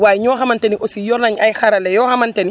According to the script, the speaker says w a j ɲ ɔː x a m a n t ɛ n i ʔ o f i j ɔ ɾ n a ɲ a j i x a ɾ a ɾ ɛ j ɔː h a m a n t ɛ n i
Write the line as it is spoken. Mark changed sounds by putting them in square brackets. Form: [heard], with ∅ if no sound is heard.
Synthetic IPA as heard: w a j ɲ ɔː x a m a n t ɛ n i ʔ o [s] i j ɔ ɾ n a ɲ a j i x a ɾ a [l] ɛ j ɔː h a m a n t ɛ n i